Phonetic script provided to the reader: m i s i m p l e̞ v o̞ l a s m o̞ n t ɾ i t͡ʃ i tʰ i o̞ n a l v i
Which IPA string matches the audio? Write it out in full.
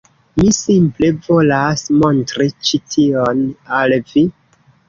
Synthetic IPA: m i s i m p l e̞ v o̞ l a s m o̞ n t ɾ i t͡ʃ i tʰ i o̞ n a l v i

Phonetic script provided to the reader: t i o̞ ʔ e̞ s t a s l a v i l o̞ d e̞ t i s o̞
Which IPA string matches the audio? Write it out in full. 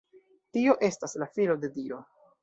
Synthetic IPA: t i o̞ ʔ e̞ s t a s l a f i l o̞ d e̞ d i o̞

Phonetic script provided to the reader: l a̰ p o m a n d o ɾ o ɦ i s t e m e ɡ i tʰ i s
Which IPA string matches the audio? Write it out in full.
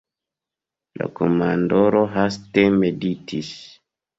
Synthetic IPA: l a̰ k o m a n d o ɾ o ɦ a s t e m e d i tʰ i s

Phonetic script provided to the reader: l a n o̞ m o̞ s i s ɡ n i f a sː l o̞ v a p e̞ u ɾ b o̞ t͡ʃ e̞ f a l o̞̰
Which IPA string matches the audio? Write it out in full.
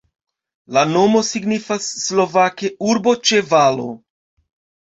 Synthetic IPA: l a n o̞ m o̞ s i ɡ n i f a sː l o̞ v a k e̞ u ɾ b o̞ t͡ʃ e̞ v a l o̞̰

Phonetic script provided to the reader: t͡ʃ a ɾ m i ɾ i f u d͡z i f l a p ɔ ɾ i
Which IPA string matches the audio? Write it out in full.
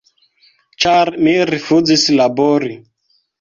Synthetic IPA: t͡ʃ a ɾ m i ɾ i f u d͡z i s l a b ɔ ɾ i

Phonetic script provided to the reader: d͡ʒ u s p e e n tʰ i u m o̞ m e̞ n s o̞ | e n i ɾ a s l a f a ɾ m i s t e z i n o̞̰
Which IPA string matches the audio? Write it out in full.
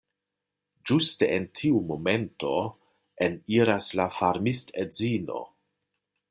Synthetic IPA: d͡ʒ u s t e e n tʰ i u m o̞ m e̞ n t o̞ | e n i ɾ a s l a f a ɾ m i s t e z i n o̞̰

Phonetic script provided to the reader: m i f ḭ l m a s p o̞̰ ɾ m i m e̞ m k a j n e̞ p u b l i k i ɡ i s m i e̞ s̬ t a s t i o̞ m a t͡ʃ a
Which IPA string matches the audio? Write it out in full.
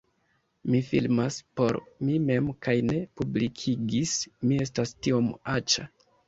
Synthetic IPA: m i f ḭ l m a s p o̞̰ ɾ m i m e̞ m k a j n e̞ p u b l i kʰ i ɡ i s m i e̞ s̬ t a s t i o̞ m a t͡ʃ a

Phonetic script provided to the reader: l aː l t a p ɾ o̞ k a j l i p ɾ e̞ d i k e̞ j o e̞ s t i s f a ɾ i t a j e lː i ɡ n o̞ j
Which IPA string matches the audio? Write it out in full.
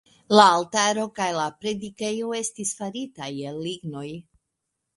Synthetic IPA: l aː l t a ɾ o̞ k a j l a p ɾ e̞ d i k e̞ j o e̞ s t i s f a ɾ i t a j e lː i ɡ n o̞ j

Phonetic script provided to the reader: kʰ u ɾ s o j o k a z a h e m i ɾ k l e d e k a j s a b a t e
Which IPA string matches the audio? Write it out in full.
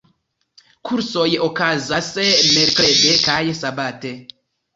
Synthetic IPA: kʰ u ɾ s o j o k a z a s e m e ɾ k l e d e k a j s a b a t e

